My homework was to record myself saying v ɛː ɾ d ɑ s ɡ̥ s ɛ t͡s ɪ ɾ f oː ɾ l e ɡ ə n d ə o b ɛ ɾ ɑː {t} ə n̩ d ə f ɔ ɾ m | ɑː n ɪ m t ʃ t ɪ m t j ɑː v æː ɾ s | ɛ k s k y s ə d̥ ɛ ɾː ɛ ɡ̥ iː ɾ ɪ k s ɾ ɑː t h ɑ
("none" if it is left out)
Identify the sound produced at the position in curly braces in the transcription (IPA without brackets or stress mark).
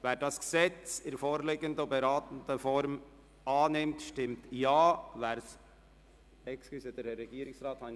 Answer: t